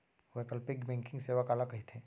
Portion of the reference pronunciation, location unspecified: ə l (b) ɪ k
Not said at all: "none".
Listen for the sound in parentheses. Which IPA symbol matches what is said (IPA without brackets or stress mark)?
p